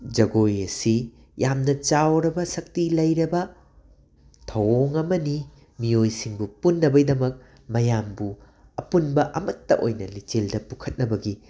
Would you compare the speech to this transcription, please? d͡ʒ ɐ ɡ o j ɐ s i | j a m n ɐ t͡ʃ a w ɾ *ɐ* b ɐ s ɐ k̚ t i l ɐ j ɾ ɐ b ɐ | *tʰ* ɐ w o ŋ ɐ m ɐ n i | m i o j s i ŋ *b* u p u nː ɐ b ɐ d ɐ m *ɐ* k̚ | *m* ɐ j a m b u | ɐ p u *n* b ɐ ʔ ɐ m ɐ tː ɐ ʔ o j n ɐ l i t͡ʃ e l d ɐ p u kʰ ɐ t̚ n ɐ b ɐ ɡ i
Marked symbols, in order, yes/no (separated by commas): yes, yes, yes, yes, yes, yes